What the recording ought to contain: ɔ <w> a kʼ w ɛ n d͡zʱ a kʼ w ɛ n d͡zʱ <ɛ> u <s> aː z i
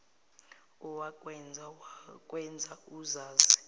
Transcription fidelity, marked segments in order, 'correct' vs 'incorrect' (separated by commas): correct, incorrect, incorrect